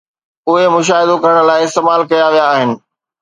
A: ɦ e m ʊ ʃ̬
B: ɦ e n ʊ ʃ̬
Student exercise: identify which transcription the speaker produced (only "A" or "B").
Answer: A